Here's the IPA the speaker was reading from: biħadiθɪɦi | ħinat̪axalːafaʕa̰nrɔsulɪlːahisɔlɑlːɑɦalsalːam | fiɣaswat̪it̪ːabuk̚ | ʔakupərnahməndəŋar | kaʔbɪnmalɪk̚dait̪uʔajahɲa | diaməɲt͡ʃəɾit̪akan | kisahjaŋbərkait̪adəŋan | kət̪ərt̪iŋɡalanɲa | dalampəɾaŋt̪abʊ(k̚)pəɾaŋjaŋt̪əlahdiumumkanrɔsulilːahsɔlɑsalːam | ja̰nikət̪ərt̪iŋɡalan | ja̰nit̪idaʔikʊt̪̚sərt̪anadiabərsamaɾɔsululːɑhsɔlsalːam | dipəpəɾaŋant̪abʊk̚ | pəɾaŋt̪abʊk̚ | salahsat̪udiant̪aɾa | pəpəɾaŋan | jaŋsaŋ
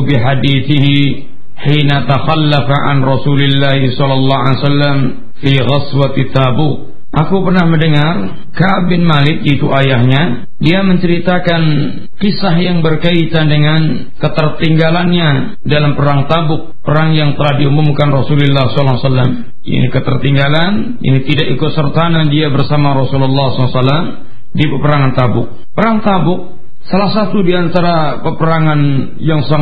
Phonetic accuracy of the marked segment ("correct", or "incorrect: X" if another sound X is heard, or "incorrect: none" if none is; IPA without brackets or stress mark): correct